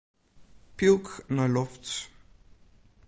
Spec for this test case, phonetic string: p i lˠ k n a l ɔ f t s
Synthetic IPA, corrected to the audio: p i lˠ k n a l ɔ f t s